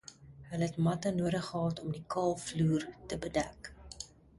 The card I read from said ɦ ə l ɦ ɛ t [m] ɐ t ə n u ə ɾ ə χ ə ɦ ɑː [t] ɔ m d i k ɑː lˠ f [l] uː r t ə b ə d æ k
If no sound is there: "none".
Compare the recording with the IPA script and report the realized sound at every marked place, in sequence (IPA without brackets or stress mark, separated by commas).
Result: m, t, l